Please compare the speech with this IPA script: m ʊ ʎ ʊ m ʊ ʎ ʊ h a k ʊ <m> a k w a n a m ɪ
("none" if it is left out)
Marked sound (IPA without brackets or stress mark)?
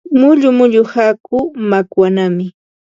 m